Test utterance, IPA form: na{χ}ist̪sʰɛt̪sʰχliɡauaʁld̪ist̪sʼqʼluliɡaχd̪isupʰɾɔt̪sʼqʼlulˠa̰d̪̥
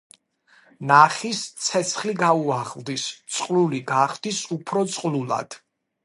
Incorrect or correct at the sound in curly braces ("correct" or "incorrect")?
correct